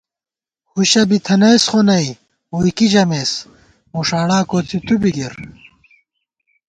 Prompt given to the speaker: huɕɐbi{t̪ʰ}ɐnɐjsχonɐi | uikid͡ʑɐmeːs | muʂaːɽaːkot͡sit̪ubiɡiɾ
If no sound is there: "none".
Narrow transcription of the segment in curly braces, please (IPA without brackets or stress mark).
t̪ʰ